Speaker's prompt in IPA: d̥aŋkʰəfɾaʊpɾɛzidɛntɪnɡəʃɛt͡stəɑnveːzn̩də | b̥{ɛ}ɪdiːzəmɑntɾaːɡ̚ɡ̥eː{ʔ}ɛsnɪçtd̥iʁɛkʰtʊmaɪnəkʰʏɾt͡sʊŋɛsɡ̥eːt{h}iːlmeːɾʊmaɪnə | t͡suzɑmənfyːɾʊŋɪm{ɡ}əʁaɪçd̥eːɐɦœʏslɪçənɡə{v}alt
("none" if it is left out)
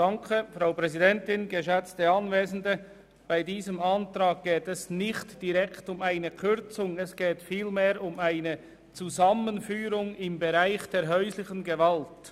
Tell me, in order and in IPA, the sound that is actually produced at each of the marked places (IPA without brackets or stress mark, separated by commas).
a, t, f, b, v